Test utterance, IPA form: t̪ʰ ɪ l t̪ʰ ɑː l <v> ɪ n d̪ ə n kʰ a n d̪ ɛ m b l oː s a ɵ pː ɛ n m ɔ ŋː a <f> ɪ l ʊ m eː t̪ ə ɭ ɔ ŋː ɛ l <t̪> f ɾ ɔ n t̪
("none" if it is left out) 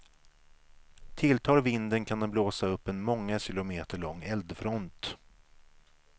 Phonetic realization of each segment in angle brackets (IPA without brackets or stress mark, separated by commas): v, ɕ, d̪